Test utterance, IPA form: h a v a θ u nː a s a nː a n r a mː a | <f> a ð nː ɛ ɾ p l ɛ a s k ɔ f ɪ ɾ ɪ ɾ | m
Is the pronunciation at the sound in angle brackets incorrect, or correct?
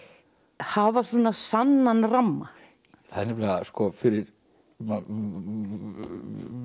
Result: incorrect